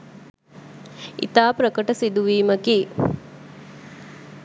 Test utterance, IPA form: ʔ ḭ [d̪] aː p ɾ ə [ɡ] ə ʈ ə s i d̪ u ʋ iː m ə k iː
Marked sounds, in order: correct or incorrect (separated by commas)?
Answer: incorrect, incorrect